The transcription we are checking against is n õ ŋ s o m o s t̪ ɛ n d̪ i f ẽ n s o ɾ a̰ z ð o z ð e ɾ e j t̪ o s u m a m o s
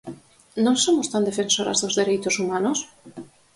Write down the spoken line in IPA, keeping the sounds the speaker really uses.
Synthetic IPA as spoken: n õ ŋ s o m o s t̪ a n d̪ e f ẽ n s o ɾ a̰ z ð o z ð e ɾ e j t̪ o s u m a n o s